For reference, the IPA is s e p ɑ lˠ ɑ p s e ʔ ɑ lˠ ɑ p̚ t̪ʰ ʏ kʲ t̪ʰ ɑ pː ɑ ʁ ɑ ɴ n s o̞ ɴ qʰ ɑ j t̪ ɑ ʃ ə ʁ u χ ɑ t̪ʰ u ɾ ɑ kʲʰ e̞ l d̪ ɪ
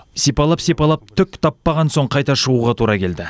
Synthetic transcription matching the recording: s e p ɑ lˠ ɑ p s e p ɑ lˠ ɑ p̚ t̪ʰ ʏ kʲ t̪ʰ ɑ pː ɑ ʁ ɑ n s o̞ ɴ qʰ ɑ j t̪ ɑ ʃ ə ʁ u ʁ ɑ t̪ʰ u ɾ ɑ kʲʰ e̞ l d̪ ɪ